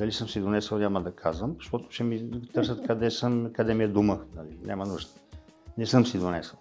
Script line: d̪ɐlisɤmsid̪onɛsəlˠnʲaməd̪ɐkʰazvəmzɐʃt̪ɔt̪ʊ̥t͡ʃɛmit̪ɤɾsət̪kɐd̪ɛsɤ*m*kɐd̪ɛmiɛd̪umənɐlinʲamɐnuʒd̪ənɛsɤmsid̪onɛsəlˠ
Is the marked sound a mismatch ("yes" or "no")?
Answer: no